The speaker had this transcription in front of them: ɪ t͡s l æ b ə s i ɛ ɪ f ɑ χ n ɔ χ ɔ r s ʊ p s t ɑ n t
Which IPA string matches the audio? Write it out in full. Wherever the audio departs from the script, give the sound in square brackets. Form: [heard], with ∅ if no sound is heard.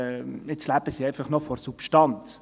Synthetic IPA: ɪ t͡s l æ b ə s i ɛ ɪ f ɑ χ n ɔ [f] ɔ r s [u] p [ʃ] t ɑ n [t͡s]